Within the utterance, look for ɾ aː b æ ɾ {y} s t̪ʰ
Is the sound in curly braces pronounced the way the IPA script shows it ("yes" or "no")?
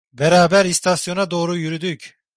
no